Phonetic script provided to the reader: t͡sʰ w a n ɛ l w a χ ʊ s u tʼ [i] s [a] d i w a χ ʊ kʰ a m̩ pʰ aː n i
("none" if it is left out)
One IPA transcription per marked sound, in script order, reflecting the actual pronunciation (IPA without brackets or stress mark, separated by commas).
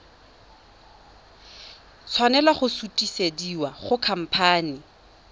i, e